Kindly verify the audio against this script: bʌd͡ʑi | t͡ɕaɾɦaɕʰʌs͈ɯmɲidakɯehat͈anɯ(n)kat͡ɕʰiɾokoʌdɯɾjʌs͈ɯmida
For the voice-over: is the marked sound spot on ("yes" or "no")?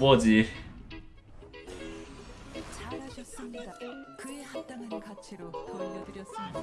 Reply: yes